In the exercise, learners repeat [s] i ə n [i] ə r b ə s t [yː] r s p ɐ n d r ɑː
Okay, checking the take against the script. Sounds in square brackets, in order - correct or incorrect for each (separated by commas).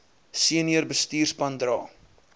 correct, correct, incorrect